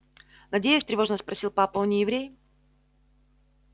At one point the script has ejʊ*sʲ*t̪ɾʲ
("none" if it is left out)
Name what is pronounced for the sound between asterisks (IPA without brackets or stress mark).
sʲ